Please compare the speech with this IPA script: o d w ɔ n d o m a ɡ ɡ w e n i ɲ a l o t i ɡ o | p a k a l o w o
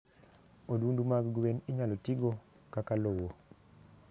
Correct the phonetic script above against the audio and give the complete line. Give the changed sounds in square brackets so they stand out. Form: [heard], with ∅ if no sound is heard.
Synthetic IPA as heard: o d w [u] n d [u] m a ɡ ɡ w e n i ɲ a l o t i ɡ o | [k] a k a l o w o